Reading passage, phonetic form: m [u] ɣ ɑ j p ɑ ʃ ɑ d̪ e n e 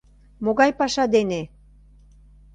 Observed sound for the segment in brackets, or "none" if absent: o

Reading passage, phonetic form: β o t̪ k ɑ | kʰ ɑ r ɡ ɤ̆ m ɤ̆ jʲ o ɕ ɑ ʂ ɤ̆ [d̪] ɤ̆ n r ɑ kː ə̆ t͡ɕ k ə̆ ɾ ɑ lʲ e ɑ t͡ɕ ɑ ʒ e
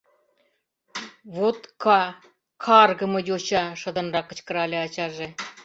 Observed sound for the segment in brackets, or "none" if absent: d̪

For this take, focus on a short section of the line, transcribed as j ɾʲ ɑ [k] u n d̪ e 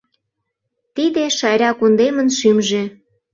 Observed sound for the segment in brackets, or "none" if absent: k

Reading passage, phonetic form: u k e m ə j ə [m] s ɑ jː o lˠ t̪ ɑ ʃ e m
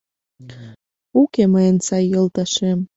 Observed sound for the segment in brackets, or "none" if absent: n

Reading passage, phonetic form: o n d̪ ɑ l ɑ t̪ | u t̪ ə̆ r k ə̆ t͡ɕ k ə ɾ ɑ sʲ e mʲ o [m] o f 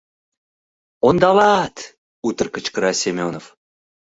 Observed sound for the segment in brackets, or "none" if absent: n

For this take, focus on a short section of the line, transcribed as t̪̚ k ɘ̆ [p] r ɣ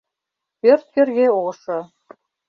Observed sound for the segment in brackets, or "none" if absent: none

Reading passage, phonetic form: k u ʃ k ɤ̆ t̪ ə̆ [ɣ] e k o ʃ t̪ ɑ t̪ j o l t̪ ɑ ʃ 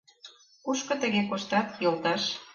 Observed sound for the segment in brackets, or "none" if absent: ɣ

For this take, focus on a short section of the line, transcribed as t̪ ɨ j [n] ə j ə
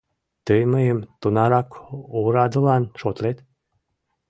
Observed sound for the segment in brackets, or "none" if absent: m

